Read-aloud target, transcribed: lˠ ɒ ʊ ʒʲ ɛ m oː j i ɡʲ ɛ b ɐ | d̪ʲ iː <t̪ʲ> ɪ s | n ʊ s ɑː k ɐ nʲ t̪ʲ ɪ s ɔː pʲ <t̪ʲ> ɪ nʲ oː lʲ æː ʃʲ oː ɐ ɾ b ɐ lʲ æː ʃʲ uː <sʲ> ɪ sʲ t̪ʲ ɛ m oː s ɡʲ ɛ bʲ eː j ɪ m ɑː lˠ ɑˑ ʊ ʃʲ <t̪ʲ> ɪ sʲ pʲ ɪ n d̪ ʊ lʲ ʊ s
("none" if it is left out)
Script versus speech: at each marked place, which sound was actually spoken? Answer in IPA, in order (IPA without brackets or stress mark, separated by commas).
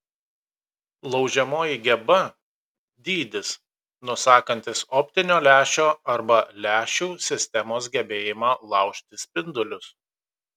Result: d̪ʲ, t̪ʲ, sʲ, t̪ʲ